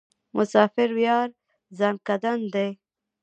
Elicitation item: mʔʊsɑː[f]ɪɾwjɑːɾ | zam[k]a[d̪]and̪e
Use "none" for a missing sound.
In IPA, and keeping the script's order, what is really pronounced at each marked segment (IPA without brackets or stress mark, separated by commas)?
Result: f, k, d̪